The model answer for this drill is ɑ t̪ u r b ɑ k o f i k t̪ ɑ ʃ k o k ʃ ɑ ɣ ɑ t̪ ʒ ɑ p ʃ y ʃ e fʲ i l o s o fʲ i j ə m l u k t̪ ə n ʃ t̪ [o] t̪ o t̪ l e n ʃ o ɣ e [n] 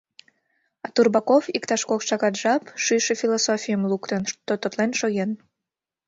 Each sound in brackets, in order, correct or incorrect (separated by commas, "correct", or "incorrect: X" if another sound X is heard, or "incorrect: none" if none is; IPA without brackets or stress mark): correct, correct